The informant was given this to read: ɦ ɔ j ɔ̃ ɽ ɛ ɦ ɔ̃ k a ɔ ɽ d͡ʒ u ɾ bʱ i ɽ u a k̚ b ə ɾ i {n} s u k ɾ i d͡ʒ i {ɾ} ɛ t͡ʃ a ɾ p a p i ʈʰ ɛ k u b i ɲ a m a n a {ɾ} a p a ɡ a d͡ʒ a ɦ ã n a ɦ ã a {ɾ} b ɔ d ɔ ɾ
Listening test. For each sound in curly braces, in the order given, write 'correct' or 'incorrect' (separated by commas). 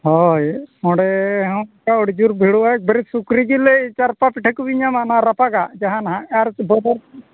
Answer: incorrect, incorrect, correct, correct